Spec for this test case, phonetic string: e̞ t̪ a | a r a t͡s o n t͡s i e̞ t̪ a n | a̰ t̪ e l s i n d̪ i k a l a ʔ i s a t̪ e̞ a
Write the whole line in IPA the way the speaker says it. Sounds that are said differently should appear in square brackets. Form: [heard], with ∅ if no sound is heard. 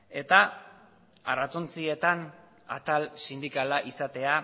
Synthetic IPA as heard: e̞ t̪ a | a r a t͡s o n t͡s i e̞ t̪ a n | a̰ t̪ [a] l s i n d̪ i k a l a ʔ i s a t̪ e̞ a